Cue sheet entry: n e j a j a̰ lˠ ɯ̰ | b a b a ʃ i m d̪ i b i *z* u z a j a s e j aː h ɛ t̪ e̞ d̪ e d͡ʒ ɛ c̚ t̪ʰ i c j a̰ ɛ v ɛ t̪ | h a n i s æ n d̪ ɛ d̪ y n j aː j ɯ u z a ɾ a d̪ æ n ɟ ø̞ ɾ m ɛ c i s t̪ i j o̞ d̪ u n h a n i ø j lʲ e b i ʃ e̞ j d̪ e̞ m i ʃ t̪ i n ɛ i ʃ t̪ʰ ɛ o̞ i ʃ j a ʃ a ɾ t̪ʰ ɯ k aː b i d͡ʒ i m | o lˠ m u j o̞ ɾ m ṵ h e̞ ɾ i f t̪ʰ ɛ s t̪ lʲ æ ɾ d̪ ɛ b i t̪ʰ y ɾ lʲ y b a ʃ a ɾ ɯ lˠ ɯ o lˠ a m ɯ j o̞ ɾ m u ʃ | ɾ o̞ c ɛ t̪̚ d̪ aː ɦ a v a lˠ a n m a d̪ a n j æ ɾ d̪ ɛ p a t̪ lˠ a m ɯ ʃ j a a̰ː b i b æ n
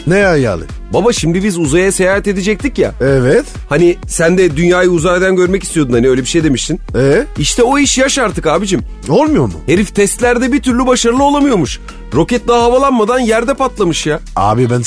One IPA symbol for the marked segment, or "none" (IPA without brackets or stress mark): z